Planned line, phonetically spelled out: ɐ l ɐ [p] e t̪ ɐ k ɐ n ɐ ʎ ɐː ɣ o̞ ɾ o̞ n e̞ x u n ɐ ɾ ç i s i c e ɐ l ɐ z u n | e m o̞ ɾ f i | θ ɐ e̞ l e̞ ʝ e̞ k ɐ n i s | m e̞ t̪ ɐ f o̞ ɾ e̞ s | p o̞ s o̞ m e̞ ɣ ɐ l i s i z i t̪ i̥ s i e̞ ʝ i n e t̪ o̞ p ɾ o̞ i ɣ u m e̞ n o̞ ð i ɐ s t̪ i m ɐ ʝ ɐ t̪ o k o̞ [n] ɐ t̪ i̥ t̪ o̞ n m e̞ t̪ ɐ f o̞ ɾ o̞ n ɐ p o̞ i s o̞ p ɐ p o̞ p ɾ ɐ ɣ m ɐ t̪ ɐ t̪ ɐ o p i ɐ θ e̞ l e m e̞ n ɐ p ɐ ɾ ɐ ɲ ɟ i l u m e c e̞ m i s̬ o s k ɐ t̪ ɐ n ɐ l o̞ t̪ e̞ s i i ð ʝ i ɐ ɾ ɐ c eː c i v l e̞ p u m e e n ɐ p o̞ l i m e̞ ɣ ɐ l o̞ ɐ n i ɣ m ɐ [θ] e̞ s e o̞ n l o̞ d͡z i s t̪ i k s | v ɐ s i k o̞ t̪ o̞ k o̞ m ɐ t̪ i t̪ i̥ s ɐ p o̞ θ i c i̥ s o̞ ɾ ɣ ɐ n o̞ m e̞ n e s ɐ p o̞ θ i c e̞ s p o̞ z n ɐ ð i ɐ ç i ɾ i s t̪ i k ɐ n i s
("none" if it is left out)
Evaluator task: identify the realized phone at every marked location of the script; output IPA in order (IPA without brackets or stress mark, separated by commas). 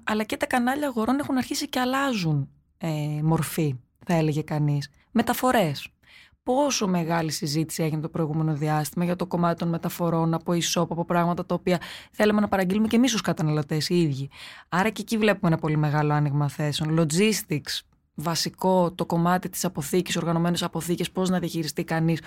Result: c, m, θ